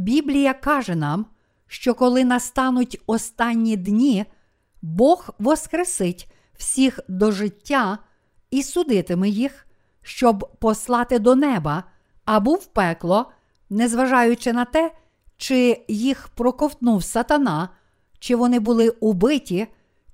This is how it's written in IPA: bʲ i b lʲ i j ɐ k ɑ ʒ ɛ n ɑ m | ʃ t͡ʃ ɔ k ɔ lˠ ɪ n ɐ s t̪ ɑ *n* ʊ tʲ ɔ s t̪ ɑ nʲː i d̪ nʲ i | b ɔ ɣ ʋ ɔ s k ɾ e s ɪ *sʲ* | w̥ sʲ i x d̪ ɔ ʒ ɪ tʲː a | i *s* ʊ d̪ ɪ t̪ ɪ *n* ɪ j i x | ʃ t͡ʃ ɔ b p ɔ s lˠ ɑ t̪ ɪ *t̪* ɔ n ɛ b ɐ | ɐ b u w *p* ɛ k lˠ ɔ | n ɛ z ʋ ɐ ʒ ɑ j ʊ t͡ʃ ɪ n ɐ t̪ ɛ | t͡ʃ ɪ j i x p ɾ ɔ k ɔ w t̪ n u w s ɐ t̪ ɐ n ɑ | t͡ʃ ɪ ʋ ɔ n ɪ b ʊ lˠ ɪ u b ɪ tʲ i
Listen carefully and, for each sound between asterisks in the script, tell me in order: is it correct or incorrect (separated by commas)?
correct, incorrect, correct, incorrect, incorrect, correct